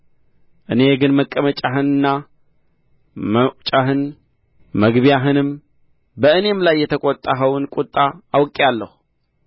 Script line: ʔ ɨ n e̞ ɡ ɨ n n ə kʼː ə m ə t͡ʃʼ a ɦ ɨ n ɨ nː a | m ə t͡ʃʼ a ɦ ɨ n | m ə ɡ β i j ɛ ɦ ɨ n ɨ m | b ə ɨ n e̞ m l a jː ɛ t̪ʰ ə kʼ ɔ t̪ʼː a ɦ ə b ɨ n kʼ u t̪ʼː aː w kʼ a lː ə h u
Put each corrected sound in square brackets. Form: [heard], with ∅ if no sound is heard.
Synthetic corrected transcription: ʔ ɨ n e̞ ɡ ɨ n [m] ə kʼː ə m ə t͡ʃʼ a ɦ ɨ n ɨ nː a | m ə t͡ʃʼ a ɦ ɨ n | m ə ɡ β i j [a] ɦ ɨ n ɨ m | b ə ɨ n e̞ m l a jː ɛ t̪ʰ ə kʼ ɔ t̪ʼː a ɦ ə [w] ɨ n kʼ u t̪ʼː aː w kʼ a lː ə h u